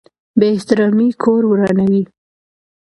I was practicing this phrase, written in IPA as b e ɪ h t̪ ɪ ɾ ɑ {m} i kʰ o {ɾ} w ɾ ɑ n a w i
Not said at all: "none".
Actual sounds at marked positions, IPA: m, ɾ

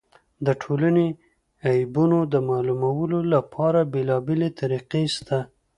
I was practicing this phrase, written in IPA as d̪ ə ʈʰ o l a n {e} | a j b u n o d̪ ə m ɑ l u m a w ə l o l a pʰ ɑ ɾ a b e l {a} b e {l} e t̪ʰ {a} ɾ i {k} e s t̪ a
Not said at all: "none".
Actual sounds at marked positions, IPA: e, ɑ, l, a, q

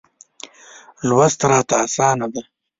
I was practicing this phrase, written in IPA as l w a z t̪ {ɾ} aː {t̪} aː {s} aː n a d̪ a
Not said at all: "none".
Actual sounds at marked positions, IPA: ɾ, t̪, s

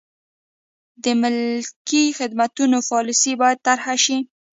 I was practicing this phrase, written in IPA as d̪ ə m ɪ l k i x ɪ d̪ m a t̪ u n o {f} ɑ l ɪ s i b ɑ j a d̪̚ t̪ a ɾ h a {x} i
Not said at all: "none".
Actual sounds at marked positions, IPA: f, ʃ

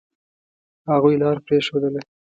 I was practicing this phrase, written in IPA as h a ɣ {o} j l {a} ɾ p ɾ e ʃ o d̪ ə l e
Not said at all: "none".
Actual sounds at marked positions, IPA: u, ɑ

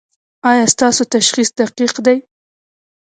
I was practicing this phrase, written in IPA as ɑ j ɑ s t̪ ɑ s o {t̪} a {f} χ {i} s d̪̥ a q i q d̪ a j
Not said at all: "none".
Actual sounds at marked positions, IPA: t̪, ʃ, i

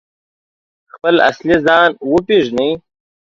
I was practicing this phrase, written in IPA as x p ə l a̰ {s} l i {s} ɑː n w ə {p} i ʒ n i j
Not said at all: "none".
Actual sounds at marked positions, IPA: s, z, p

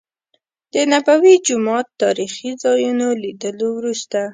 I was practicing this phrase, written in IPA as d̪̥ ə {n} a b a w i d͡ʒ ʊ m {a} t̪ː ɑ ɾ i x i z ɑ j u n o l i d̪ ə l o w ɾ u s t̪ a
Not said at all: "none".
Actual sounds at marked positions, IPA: n, ɑ

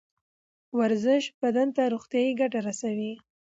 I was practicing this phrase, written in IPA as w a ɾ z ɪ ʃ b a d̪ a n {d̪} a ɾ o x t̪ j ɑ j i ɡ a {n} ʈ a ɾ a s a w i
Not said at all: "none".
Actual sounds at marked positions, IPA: t̪, none

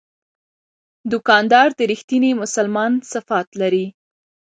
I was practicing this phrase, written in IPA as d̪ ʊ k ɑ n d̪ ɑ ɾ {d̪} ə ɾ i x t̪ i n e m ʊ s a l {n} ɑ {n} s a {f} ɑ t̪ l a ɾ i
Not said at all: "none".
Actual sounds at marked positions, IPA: d̪, m, n, f

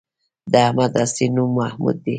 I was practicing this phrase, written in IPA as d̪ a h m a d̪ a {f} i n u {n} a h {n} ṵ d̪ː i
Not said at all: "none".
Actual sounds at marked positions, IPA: s, m, m

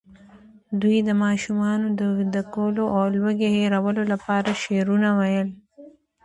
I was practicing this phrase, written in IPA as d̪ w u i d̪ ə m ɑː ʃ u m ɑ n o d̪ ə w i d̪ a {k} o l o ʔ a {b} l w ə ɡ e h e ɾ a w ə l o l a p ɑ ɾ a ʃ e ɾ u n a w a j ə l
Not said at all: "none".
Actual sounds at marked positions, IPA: k, w

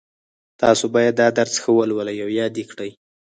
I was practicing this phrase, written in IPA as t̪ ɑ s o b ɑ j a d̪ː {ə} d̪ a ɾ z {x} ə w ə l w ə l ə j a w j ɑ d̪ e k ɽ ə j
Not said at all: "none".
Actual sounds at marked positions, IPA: ɑ, x

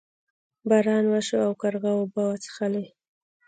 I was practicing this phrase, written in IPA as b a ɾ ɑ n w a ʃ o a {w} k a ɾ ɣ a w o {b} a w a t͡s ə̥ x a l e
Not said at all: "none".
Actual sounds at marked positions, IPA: w, b

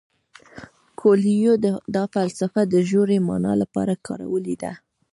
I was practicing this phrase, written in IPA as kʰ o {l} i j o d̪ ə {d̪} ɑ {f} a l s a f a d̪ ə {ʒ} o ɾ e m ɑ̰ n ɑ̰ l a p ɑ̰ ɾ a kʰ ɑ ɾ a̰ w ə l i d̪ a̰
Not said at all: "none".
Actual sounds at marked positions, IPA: l, d̪, f, ʒ

